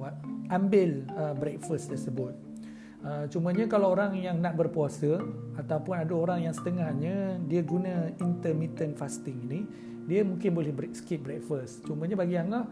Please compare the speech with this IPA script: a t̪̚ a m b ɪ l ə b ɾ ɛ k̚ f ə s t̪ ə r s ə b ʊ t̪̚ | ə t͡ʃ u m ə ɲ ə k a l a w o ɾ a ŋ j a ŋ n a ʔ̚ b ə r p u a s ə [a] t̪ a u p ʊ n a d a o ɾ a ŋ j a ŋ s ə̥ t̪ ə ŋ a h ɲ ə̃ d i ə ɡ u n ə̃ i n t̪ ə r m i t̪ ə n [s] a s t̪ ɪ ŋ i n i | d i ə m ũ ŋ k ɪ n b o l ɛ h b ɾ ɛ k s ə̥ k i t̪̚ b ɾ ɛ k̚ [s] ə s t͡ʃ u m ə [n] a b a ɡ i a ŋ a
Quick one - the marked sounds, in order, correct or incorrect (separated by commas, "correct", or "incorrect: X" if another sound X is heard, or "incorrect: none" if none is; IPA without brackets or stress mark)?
correct, incorrect: f, incorrect: f, incorrect: ɲ